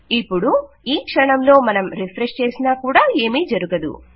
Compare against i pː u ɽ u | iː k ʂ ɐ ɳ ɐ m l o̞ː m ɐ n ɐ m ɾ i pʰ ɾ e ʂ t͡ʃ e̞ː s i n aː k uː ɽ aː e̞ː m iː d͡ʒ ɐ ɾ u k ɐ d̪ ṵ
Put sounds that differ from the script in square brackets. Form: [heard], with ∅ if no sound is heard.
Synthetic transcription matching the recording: i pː u ɽ u | iː k ʂ ɐ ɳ ɐ m l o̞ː m ɐ n ɐ m ɾ i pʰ ɾ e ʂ t͡ʃ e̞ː s i n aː k uː ɽ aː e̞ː m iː d͡ʒ ɐ ɾ u [ɡ] ɐ d̪ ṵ